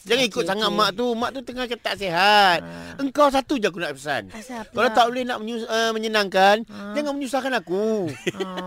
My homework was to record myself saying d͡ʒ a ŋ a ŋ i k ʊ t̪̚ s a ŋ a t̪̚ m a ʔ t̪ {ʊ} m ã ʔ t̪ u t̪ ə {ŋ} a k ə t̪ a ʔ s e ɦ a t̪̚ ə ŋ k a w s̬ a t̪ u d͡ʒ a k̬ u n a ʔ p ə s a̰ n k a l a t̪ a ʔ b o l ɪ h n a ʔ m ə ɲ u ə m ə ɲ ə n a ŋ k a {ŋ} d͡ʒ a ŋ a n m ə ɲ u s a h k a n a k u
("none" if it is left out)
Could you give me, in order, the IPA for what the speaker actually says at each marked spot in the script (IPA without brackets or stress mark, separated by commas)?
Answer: u, ŋ, n